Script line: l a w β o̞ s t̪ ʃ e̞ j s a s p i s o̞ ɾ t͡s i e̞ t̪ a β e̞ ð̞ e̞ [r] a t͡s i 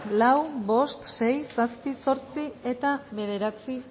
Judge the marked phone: incorrect: ɾ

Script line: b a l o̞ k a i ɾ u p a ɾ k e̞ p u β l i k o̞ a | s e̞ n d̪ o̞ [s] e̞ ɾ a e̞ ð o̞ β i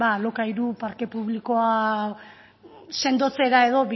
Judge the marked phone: incorrect: t͡s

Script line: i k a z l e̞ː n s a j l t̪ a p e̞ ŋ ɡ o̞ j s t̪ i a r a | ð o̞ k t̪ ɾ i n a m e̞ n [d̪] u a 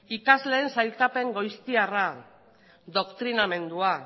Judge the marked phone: correct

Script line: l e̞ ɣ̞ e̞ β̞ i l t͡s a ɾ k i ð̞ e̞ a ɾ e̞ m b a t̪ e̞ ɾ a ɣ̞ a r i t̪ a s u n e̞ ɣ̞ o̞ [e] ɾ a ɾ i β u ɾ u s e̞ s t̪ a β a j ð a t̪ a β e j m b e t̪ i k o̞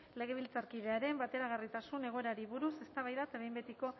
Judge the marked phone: correct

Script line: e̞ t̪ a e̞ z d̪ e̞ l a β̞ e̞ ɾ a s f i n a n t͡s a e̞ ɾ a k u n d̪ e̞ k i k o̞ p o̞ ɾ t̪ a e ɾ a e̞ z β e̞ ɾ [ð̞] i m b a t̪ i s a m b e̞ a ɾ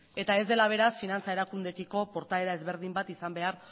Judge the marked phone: correct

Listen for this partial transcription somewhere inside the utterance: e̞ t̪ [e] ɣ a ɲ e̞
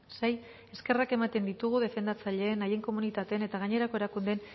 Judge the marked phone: incorrect: a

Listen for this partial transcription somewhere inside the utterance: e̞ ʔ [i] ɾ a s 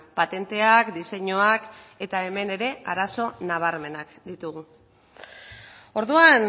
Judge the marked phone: incorrect: a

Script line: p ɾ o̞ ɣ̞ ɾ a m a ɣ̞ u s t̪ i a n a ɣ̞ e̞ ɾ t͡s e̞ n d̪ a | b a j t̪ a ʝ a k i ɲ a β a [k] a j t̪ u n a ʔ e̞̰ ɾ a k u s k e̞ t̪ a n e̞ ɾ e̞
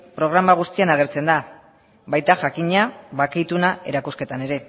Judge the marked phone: correct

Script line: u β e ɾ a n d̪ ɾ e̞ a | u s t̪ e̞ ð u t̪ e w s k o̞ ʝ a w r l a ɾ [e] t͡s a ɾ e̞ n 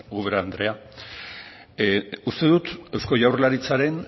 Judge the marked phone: incorrect: i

